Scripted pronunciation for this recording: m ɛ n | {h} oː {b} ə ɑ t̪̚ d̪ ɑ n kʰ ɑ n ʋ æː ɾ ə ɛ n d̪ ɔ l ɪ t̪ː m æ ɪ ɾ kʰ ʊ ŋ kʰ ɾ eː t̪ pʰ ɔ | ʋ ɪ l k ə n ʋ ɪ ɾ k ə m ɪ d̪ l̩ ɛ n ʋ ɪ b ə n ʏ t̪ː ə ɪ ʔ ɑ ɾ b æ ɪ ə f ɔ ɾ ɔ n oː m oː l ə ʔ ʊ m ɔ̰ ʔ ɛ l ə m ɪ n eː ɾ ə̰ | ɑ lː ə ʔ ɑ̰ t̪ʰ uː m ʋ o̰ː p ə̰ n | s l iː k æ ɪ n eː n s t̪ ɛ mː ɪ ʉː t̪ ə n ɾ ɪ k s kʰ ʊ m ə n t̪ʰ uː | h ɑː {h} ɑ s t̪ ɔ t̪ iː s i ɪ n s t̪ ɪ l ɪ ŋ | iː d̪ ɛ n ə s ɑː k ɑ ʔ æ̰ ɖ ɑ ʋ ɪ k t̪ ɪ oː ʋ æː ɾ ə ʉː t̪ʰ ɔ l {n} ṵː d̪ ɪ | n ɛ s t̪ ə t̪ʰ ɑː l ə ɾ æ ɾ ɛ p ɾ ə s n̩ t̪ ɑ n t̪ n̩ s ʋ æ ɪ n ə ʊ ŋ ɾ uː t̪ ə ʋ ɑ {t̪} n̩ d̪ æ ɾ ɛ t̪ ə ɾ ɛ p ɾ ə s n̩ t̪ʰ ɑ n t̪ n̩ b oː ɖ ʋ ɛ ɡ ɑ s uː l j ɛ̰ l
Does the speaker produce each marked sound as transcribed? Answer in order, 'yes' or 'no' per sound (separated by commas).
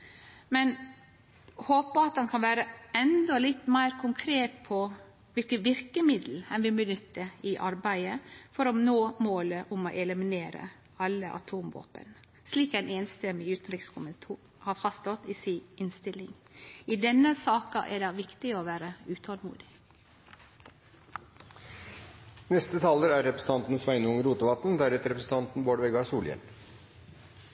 yes, no, no, no, yes